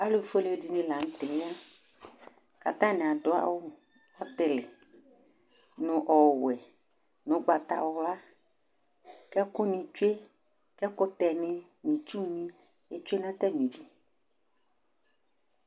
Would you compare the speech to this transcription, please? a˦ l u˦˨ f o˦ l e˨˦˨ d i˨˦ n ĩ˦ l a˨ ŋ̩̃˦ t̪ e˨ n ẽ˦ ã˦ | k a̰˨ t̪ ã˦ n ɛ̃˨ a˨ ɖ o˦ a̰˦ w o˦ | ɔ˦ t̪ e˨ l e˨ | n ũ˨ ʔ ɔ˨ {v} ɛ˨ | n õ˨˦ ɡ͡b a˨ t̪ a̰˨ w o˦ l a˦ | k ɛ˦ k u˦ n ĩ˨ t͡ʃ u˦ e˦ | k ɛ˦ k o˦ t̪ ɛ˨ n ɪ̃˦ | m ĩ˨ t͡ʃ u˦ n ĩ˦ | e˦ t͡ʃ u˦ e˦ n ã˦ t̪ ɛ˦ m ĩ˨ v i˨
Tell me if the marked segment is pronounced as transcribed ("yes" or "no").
no